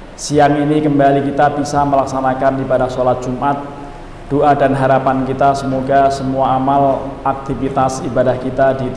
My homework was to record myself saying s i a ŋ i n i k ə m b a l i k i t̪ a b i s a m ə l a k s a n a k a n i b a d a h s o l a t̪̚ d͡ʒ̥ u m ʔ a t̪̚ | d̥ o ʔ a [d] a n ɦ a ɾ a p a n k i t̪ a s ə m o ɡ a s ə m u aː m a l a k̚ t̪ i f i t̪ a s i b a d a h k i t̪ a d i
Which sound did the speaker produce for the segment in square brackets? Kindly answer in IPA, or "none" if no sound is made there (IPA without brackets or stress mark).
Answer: d